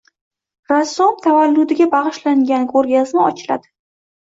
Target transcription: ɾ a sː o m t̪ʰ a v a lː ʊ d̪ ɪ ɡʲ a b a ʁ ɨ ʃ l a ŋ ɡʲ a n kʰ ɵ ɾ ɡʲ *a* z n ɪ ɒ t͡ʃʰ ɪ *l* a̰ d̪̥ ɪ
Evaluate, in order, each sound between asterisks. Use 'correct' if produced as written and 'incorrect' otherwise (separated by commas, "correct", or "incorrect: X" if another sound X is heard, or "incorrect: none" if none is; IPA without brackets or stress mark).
correct, correct